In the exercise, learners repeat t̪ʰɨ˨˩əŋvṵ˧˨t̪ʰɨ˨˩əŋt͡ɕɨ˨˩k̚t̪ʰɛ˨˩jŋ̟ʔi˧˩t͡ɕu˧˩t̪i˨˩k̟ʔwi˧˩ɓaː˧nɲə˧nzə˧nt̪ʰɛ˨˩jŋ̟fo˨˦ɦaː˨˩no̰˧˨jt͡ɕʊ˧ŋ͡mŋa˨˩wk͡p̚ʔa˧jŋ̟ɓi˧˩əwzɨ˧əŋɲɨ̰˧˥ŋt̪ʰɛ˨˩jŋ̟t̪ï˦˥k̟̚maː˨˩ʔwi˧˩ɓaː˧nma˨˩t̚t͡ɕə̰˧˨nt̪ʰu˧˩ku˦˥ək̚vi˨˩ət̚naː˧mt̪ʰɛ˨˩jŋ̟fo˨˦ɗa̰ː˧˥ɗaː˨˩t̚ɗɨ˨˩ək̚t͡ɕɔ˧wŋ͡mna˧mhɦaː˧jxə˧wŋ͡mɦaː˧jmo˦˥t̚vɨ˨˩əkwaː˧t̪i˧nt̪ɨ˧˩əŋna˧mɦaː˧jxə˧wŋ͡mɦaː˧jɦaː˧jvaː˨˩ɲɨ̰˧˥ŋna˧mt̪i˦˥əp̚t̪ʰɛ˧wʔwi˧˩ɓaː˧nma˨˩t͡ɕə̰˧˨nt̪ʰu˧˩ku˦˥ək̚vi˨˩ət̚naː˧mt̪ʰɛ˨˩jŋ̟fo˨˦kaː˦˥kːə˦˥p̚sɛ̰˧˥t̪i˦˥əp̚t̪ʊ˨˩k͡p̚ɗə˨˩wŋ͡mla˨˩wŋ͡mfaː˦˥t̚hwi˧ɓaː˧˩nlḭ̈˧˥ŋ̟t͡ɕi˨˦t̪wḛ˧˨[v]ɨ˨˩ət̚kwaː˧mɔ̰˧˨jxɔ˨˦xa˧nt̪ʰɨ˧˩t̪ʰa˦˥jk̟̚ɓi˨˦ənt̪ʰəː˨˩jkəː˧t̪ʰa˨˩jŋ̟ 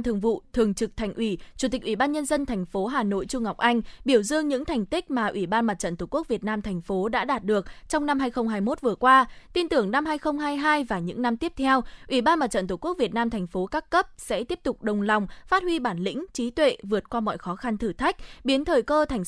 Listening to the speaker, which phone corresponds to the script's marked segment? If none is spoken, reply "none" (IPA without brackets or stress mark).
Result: v